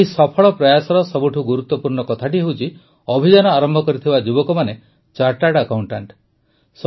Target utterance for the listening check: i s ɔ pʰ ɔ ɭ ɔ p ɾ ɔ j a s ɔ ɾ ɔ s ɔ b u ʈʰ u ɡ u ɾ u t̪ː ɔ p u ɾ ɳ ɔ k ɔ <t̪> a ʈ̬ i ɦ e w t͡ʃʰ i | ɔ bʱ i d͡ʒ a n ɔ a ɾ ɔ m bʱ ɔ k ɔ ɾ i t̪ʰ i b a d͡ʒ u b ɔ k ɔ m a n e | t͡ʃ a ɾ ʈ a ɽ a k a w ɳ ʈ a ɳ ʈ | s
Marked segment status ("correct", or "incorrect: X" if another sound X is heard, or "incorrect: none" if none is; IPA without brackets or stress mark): incorrect: t̪ʰ